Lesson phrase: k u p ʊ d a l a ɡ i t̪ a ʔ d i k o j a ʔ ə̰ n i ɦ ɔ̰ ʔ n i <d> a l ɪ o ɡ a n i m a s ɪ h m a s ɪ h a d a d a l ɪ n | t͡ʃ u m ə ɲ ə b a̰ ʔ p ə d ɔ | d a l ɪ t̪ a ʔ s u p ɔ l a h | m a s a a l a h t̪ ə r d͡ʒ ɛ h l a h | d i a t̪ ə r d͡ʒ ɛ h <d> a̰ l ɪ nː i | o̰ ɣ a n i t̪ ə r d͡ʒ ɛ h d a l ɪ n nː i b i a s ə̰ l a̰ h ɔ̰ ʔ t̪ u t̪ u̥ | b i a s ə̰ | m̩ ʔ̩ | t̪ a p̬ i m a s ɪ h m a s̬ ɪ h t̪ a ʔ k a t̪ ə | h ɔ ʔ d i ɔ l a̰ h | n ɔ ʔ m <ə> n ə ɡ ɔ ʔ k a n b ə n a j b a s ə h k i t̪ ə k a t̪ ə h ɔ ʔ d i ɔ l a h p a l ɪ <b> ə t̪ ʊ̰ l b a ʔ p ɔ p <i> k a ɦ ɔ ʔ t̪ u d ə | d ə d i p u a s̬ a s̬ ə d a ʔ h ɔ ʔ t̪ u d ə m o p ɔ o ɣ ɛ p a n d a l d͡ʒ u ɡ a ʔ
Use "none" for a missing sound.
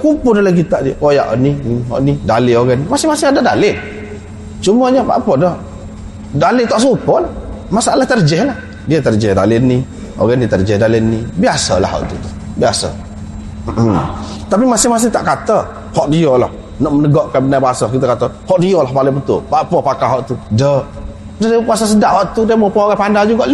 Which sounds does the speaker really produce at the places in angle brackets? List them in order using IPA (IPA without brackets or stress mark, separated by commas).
d, d, ə, b, a